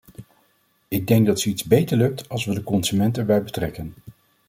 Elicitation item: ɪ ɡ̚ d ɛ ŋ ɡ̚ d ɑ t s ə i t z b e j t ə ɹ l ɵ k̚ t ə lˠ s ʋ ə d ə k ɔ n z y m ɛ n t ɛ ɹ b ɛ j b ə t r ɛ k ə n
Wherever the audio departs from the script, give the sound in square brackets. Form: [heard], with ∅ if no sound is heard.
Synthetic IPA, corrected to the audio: ɪ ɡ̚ d ɛ ŋ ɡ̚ d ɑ t s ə i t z b e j t ə ɹ l ɵ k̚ t [ɑ] lˠ s ʋ ə d ə k ɔ n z y m ɛ n t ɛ ɹ b ɛ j b ə t r ɛ k ə n